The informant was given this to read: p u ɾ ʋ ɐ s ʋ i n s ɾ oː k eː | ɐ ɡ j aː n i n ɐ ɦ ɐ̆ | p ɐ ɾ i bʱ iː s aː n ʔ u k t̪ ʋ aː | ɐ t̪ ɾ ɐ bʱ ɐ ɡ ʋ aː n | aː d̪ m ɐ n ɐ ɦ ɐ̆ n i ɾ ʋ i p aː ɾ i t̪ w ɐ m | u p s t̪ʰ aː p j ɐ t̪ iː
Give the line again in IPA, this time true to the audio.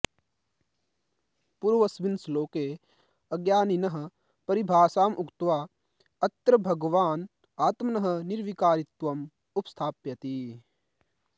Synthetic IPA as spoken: p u ɾ ʋ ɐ s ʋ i n s l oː k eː | ɐ ɡ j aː n i n ɐ ɦ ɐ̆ | p ɐ ɾ i bʱ aː s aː m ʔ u k t̪ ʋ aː | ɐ t̪ ɾ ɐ bʱ ɐ ɡ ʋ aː n | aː t̪ m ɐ n ɐ ɦ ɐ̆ n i ɾ ʋ i k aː ɾ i t̪ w ɐ m | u p s t̪ʰ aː p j ɐ t̪ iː